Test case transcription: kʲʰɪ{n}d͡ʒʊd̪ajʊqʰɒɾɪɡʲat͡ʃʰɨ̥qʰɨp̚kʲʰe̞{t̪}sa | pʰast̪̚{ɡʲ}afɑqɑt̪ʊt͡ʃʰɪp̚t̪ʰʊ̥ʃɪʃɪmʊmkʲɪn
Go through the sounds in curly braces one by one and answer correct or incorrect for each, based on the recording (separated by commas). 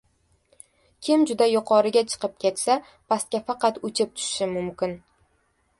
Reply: incorrect, correct, incorrect